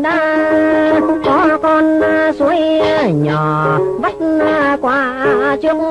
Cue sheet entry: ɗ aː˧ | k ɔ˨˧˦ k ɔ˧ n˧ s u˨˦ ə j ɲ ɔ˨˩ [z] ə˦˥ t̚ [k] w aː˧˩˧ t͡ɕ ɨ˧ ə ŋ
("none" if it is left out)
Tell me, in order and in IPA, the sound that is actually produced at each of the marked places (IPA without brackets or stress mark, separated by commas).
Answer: v, k